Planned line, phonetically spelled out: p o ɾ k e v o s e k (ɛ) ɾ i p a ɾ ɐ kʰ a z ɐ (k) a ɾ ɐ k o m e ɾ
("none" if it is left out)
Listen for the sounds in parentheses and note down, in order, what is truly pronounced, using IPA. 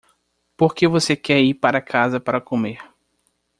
ɛ, p

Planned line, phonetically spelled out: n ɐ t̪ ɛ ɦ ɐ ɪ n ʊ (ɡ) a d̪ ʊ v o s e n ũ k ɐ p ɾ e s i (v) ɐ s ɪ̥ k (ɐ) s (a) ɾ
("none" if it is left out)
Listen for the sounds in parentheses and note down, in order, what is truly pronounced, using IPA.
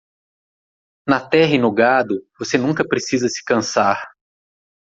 ɡ, z, ɐ̃, a

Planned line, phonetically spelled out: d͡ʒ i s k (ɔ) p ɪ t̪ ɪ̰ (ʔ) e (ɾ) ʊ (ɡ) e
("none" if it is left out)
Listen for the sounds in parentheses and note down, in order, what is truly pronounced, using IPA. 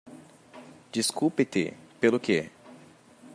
u, p, l, k

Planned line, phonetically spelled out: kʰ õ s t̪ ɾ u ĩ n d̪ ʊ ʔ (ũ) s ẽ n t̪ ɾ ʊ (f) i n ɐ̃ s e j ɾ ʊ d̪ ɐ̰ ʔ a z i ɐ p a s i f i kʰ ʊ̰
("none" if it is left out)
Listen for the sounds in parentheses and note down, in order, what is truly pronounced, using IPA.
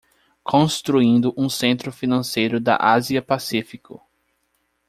ũ, f

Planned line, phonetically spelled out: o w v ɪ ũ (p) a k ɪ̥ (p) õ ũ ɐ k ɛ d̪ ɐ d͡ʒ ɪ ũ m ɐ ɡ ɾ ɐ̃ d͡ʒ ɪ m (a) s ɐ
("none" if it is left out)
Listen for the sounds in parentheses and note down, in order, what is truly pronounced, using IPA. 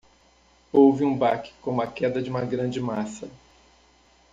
b, k, a

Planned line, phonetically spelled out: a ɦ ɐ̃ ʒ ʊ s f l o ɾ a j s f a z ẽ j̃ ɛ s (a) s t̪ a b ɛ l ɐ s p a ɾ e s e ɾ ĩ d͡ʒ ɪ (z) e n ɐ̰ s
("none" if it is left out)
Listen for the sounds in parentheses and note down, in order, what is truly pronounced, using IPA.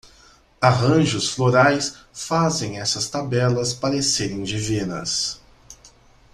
ɐ, v

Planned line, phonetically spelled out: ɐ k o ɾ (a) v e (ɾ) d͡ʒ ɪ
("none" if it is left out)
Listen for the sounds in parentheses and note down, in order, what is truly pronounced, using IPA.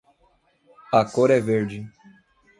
ɛ, ɾ

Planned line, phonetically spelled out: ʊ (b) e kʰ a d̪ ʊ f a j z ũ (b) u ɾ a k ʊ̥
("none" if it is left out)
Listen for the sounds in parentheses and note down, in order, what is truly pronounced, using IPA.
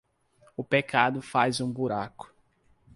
p, b

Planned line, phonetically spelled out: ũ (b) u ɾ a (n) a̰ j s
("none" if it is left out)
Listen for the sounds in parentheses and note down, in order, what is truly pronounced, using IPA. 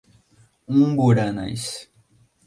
b, n

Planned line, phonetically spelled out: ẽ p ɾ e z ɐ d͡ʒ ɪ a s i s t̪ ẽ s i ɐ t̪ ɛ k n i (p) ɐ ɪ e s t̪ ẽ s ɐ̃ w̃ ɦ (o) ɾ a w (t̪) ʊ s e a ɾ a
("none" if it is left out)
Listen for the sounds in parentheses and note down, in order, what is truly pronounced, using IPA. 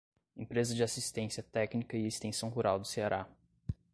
k, u, d̪

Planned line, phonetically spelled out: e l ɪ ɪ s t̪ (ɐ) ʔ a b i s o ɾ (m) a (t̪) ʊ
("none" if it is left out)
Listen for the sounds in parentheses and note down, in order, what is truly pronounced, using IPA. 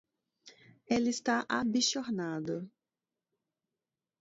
a, n, d̪

